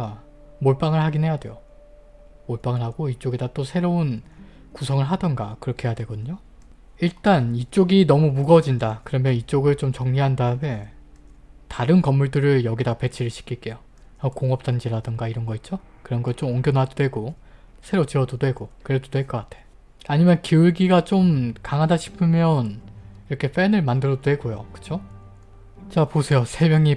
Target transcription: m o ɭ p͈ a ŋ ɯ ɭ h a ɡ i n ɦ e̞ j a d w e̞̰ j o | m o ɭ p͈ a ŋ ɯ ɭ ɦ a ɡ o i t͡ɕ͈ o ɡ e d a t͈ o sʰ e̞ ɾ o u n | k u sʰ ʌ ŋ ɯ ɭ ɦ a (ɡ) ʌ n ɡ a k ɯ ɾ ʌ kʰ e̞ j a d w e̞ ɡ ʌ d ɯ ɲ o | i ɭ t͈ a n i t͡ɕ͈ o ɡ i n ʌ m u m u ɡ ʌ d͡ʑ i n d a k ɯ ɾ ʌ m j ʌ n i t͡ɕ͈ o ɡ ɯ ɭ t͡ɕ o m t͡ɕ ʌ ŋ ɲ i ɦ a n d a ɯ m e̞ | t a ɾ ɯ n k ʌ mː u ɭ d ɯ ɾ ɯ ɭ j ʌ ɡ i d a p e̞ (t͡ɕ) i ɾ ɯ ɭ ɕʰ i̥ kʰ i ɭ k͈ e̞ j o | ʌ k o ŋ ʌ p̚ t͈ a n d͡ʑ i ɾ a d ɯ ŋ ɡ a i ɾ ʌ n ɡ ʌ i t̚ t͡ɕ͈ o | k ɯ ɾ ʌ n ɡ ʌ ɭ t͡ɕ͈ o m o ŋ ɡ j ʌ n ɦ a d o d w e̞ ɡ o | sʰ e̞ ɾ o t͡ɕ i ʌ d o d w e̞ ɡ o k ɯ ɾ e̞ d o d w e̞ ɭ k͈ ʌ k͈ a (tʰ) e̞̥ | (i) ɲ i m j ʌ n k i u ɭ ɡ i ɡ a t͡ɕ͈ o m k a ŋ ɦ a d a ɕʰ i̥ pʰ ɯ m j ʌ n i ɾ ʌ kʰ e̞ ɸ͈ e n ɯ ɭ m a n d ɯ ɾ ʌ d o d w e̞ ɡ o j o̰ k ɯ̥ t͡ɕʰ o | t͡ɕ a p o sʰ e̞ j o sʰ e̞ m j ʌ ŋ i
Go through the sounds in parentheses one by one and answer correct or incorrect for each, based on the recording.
incorrect, incorrect, correct, incorrect

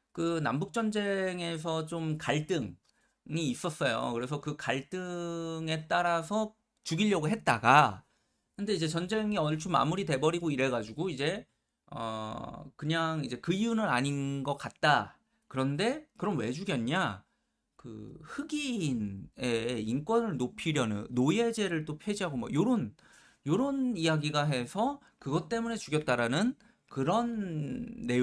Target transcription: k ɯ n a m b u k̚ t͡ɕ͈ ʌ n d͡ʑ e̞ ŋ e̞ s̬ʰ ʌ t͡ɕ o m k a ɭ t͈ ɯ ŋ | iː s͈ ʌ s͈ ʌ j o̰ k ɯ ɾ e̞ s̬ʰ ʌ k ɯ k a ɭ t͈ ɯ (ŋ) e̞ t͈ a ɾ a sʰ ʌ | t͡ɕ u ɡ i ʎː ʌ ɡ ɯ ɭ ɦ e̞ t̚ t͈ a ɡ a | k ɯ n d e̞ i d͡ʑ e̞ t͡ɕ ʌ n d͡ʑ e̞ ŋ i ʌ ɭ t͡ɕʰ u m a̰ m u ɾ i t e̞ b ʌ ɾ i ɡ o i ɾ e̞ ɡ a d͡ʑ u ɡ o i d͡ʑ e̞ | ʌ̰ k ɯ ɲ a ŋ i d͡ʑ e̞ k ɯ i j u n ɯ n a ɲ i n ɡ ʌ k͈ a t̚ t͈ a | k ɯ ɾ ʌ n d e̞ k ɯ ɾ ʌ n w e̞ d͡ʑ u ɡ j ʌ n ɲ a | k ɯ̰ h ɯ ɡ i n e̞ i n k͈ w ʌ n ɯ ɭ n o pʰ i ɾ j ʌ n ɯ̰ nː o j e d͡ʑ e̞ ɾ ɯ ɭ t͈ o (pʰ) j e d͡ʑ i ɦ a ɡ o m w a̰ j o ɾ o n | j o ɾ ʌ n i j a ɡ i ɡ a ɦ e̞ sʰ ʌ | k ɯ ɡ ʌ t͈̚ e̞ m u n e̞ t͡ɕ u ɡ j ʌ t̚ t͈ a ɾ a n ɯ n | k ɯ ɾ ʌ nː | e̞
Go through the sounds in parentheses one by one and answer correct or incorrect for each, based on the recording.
correct, correct

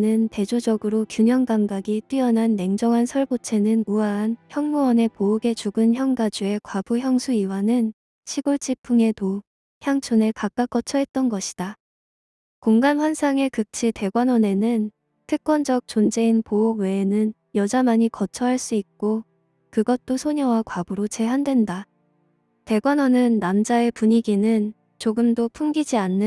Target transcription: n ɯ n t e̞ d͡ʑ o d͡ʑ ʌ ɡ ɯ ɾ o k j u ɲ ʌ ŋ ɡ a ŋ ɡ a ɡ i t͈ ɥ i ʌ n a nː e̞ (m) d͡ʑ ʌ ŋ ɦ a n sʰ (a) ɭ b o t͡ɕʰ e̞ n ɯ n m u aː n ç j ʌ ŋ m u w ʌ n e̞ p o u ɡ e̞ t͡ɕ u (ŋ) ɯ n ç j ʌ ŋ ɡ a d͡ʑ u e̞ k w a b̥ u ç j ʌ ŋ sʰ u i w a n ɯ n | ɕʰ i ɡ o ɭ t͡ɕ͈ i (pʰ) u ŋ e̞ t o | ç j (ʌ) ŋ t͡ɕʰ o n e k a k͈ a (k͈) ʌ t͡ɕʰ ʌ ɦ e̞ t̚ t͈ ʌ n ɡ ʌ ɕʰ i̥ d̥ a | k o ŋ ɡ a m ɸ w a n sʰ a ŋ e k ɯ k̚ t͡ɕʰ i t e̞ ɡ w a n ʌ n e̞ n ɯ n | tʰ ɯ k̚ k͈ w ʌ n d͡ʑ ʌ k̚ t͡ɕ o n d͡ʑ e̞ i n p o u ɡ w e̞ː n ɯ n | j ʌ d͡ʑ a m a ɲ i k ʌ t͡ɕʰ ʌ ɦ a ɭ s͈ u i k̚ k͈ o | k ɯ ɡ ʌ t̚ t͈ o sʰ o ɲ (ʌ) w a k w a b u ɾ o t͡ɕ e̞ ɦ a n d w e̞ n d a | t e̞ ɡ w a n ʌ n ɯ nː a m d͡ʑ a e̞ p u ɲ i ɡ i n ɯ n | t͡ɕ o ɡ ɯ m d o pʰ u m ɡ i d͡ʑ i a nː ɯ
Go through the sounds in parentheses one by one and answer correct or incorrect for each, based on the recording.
incorrect, incorrect, incorrect, correct, incorrect, correct, correct

